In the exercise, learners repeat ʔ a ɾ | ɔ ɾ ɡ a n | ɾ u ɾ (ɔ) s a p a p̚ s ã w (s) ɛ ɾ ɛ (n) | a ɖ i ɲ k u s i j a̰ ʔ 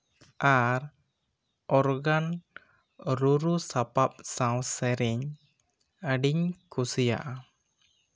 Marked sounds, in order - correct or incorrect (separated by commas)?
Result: incorrect, correct, incorrect